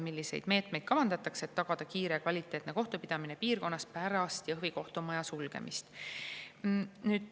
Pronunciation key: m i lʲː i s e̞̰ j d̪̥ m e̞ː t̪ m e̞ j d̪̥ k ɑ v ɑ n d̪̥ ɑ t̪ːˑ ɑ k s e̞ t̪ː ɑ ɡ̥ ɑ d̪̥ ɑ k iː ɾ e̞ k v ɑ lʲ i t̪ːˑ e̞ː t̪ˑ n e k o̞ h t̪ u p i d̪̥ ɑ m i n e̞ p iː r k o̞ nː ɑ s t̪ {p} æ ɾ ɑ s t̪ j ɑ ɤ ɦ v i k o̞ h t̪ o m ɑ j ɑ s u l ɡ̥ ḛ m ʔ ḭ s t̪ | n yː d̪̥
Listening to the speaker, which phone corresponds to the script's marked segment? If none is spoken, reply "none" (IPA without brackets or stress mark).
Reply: p